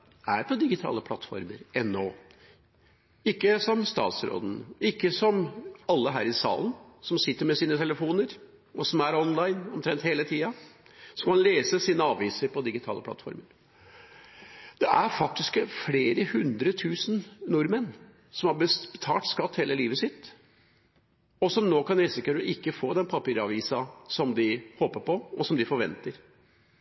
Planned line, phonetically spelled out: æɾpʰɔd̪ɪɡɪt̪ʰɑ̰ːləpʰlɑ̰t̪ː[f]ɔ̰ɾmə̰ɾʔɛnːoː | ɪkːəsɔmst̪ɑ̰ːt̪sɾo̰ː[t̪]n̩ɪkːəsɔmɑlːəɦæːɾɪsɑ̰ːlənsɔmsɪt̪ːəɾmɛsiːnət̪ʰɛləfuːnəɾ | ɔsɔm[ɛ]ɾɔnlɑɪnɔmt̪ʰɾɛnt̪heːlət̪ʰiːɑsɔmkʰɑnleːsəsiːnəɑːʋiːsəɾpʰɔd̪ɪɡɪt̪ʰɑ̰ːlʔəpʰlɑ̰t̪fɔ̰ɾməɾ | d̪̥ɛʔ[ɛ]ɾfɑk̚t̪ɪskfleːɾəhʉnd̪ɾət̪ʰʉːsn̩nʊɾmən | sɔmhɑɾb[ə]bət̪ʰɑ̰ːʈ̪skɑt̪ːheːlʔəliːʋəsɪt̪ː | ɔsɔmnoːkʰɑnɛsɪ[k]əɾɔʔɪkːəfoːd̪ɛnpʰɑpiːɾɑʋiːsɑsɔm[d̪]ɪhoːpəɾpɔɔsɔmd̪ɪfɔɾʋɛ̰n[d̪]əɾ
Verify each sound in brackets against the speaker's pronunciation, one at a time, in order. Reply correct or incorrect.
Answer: correct, incorrect: d̪, incorrect: æ, incorrect: æ, correct, correct, correct, incorrect: t̪

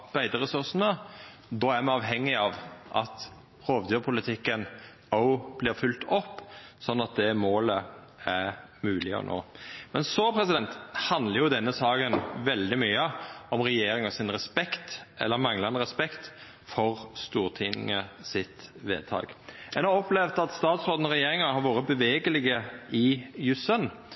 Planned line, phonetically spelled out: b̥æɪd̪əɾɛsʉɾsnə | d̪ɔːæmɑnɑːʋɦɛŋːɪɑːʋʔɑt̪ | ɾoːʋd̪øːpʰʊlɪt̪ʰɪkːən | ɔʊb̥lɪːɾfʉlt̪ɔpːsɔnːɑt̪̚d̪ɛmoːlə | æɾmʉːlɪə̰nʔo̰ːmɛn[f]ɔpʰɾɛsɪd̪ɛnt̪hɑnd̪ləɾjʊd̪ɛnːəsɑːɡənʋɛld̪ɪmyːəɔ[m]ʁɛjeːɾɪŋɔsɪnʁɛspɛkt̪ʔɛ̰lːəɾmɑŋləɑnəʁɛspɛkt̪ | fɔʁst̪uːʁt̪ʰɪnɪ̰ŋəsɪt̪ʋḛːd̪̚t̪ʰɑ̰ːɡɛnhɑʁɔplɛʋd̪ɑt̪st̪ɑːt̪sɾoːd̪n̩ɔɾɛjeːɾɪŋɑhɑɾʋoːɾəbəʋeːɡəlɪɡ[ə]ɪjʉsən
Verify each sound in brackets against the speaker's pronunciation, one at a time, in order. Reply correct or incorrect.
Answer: incorrect: s, correct, correct

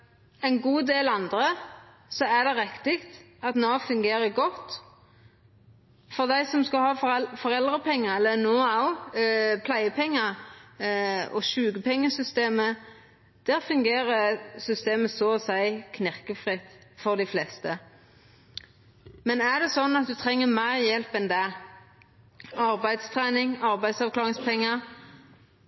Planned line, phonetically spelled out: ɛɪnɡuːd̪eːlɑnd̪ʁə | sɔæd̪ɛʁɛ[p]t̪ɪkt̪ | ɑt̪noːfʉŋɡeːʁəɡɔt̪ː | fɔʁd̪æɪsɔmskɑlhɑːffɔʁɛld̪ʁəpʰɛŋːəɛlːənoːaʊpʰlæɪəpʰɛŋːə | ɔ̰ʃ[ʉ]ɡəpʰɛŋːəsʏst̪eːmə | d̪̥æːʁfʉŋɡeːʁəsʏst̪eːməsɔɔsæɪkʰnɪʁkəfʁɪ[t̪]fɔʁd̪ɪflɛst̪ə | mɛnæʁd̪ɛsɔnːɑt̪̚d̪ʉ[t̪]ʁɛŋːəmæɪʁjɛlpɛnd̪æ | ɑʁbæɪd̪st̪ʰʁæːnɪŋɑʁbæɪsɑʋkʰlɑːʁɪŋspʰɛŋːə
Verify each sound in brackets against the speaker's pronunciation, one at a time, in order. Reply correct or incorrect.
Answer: incorrect: k, incorrect: ʉː, correct, incorrect: t̪ʰ

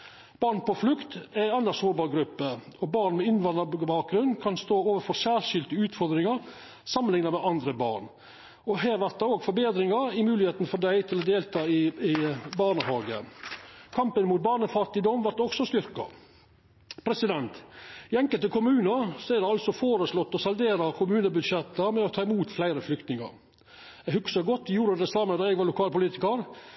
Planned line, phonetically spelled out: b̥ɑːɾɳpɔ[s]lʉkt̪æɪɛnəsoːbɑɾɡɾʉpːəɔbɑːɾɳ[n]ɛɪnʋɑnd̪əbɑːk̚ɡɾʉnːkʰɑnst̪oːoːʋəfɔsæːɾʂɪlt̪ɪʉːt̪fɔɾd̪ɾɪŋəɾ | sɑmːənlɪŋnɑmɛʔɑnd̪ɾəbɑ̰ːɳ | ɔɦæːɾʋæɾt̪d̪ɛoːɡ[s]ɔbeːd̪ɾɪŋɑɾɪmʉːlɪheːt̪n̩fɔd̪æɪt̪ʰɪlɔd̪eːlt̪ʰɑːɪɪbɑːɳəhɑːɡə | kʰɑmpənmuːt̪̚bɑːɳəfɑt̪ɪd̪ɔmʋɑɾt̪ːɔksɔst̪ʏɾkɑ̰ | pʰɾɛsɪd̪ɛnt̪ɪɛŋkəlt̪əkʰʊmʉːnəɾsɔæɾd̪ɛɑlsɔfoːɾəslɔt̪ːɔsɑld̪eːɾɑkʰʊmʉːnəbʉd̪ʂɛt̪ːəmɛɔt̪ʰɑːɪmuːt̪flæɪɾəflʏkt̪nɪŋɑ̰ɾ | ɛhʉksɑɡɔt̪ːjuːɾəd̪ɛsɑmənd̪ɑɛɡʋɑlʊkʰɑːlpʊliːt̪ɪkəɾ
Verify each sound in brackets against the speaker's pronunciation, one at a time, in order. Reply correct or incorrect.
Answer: incorrect: f, incorrect: m, incorrect: f

